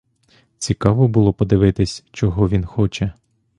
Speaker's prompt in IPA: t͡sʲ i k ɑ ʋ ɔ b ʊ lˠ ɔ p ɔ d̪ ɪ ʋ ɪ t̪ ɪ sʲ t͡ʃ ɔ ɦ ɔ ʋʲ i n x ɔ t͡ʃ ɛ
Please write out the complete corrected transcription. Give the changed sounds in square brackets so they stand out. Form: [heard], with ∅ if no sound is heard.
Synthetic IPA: t͡sʲ i k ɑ ʋ ɔ b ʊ lˠ ɔ p ɔ d̪ ɪ ʋ ɪ t̪ ɪ sʲ t͡ʃ ɔ ɦ ɔ ʋʲ i n x ɔ t͡ʃ ɛ